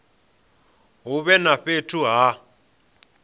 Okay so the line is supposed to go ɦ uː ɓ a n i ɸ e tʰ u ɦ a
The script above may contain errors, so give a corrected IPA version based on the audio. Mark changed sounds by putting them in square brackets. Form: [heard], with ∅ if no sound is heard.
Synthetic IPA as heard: ɦ [u] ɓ [ɛ] n [a] ɸ e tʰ u ɦ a